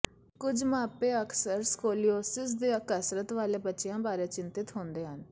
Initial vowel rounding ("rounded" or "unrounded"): rounded